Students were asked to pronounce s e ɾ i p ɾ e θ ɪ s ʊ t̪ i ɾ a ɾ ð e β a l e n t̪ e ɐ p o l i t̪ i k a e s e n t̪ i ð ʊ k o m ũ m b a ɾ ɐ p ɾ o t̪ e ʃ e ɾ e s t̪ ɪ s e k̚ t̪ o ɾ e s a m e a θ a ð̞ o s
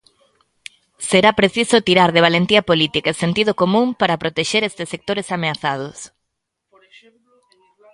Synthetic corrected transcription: s e ɾ a p ɾ e θ i s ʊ t̪ i ɾ a ɾ ð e β a l e n t̪ i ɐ p o l i t̪ i k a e s e n t̪ i ð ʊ k o m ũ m p a ɾ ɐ p ɾ o t̪ e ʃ e ɾ e s t̪ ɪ s e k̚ t̪ o ɾ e s a m e a θ a ð̞ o s